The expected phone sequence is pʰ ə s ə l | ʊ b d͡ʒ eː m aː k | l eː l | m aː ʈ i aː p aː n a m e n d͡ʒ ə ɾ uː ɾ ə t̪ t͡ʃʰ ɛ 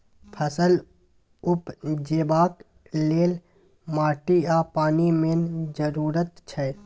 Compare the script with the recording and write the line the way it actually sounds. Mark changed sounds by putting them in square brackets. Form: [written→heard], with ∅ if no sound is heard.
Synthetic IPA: pʰ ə s ə l | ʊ [b→p] d͡ʒ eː [m→b] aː k | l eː l | m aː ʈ i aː p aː n [a→i] m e n d͡ʒ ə ɾ uː ɾ ə t̪ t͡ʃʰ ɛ